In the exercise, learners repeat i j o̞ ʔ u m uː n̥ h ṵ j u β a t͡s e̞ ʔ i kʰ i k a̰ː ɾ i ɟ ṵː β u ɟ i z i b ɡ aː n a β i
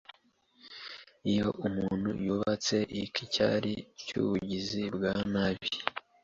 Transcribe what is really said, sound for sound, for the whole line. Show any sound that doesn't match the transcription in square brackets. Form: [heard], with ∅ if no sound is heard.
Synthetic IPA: i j o̞ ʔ u m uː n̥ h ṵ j u β a t͡s e̞ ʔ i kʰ i [c] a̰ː ɾ i [c] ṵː β u ɟ i z i b ɡ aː n a β i